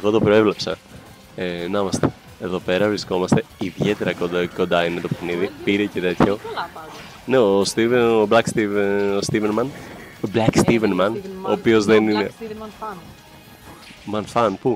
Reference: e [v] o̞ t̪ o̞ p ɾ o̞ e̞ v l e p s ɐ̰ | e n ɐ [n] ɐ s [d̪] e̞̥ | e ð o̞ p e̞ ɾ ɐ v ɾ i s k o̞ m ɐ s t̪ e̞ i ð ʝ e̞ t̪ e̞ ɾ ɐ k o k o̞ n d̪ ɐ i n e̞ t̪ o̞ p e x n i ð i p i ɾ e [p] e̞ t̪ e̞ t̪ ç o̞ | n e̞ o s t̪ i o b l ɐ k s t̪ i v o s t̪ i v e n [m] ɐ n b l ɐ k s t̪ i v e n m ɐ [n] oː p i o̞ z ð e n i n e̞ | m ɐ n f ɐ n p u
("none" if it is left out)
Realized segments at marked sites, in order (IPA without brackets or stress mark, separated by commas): ɣ, m, t̪, c, m, n